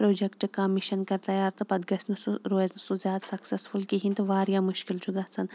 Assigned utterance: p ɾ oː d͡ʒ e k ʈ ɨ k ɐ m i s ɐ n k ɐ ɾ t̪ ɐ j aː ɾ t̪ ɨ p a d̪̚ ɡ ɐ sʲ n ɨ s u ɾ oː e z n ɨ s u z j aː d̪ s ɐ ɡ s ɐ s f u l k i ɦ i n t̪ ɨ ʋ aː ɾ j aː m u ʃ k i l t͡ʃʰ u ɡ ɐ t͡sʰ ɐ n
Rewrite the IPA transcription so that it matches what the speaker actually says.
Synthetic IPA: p ɾ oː d͡ʒ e k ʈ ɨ k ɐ m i ʃ ɐ n k ɐ ɾ t̪ ɐ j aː ɾ t̪ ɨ p ɐ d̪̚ ɡ ɐ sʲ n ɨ s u ɾ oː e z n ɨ s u z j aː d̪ s ɐ k s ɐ s f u l k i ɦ i n t̪ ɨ ʋ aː ɾ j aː m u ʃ k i l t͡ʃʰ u ɡ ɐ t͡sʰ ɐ n